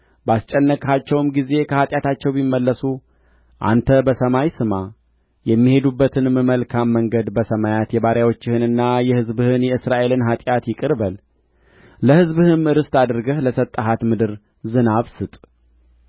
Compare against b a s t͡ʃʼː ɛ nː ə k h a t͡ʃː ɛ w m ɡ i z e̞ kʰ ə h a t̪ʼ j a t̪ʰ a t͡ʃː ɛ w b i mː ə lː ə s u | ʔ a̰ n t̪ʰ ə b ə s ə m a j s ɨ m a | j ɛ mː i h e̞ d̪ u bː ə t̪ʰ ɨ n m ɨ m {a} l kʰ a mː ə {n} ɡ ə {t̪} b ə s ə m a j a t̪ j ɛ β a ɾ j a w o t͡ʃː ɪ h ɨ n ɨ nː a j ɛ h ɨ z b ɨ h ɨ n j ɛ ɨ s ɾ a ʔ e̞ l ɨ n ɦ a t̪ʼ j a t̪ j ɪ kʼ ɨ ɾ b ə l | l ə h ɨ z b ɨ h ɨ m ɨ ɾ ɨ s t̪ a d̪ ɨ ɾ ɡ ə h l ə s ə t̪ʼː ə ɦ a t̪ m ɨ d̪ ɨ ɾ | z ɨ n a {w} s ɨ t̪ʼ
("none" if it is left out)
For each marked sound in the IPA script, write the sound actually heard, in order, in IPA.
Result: ə, ŋ, d̪, β

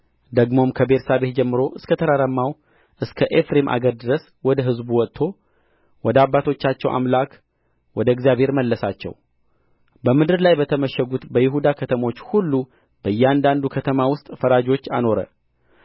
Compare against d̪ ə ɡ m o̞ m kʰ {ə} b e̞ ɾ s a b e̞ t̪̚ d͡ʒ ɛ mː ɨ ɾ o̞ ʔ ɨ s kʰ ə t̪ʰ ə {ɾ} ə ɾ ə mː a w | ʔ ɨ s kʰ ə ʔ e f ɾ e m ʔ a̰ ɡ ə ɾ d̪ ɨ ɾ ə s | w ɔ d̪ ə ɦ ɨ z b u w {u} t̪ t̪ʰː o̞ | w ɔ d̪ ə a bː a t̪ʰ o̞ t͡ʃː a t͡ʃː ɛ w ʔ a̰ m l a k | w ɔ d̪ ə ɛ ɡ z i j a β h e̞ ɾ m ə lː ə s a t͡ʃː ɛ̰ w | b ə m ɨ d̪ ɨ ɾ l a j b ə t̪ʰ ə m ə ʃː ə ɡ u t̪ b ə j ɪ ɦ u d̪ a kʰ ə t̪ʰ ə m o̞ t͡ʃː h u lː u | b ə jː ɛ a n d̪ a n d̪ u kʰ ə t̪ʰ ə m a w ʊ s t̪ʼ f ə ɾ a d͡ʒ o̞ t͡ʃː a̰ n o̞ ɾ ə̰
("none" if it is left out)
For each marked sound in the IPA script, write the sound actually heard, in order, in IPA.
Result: ə, ɾ, ɔ

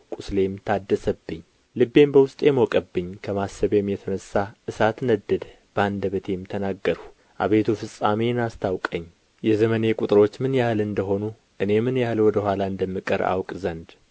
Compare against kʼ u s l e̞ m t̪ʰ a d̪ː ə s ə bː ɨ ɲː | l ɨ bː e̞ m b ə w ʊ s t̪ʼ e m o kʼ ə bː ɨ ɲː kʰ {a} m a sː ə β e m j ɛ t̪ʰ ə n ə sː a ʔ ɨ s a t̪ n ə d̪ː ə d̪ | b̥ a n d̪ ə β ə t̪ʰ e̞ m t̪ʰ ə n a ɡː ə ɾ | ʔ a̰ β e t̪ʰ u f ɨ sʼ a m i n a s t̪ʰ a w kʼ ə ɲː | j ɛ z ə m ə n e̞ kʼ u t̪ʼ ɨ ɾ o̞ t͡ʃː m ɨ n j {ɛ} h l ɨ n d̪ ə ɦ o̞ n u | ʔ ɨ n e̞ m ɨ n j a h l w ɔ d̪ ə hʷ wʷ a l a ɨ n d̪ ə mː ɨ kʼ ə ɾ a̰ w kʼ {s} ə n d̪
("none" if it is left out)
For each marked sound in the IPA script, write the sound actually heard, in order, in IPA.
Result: ə, a, z

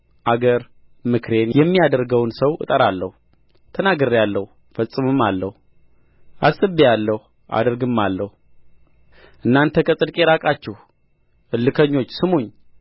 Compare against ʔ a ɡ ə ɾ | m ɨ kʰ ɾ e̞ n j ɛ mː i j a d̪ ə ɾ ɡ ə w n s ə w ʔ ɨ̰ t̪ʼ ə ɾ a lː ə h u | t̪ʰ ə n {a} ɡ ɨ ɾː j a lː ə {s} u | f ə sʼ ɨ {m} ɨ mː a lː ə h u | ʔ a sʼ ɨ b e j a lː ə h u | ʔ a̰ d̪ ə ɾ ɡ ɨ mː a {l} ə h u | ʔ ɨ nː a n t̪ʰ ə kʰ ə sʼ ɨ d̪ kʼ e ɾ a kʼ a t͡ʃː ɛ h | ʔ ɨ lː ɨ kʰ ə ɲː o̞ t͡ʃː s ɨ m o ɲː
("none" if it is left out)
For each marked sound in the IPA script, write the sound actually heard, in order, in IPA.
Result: a, h, m, lː

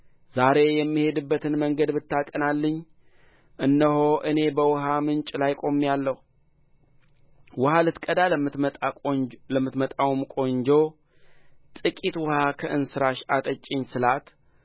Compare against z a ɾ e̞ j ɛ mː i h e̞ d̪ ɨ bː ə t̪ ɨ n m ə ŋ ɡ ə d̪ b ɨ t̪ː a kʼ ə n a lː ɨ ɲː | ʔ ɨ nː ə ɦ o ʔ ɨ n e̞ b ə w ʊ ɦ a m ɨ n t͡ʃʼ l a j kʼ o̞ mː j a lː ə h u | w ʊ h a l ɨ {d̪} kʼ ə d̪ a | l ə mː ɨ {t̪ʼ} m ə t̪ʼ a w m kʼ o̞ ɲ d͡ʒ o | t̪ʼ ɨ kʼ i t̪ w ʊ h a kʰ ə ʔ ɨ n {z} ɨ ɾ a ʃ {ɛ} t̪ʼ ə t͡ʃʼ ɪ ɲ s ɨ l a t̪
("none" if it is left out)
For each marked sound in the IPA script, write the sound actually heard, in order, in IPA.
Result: t̪, t̪, s, a

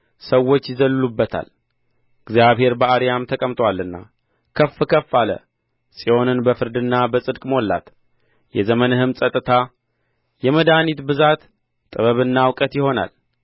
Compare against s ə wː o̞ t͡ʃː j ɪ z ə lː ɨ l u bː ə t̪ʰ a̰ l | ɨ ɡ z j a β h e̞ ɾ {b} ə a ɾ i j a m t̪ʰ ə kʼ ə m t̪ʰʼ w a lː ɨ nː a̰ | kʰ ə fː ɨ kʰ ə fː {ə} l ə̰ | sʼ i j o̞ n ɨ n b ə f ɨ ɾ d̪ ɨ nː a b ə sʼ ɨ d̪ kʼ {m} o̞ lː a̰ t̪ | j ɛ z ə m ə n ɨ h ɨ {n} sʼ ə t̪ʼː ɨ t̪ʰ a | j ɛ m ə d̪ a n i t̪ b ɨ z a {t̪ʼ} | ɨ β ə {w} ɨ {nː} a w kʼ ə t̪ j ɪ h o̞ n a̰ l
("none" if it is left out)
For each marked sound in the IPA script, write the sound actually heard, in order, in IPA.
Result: b, a, m, m, t̪ʼ, β, nː

